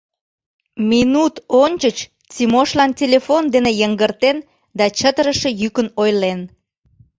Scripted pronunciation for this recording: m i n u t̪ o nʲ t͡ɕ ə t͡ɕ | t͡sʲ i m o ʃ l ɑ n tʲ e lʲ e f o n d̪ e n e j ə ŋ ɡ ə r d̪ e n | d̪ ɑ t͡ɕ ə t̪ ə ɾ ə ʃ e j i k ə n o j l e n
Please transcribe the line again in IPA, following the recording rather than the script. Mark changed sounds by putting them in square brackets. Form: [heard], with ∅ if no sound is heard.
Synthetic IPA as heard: m i n u t̪ o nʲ t͡ɕ ə t͡ɕ | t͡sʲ i m o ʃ l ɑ n tʲ e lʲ e f o n d̪ e n e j ə ŋ ɡ ə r [t̪] e n | d̪ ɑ t͡ɕ ə t̪ ə ɾ ə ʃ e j [y] k ə n o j l e n

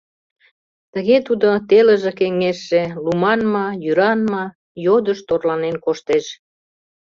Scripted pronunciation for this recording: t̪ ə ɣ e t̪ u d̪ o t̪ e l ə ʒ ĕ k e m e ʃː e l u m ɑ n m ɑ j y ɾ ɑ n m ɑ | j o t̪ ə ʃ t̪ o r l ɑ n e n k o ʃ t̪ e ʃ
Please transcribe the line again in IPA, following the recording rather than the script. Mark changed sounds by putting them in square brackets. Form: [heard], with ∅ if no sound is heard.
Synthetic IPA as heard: t̪ ə ɣ e t̪ u d̪ o t̪ e l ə ʒ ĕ k e [ŋ] e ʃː e l u m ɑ n m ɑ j y ɾ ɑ n m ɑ | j o [d̪] ə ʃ t̪ o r l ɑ n e n k o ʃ t̪ e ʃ

